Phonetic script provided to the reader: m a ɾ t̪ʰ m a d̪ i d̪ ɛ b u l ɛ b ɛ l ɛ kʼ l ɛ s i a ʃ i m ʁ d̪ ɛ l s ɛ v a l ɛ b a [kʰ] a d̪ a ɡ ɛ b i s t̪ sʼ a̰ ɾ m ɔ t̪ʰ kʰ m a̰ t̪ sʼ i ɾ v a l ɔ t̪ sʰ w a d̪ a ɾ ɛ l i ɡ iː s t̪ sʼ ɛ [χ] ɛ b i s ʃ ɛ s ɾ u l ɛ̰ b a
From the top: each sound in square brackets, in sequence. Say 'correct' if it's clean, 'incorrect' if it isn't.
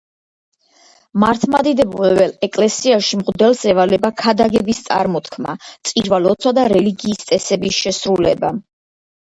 correct, incorrect: s

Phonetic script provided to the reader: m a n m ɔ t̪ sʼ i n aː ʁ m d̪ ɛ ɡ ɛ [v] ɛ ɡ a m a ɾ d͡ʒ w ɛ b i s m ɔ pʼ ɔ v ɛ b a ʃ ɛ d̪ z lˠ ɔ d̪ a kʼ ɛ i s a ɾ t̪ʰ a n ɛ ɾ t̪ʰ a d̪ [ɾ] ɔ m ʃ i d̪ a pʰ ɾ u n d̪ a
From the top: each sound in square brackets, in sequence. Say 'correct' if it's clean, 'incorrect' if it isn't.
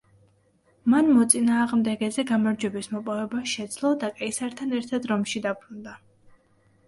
incorrect: z, correct

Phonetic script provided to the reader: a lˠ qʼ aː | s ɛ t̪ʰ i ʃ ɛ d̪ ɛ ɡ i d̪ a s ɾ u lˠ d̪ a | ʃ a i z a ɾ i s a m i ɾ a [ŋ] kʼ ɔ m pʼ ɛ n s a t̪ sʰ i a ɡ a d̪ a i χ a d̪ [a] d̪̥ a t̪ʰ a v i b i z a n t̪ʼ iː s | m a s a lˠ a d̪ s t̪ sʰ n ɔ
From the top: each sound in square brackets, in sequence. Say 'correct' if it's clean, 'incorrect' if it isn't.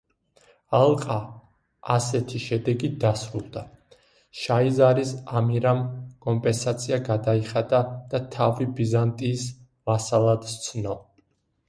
incorrect: m, correct

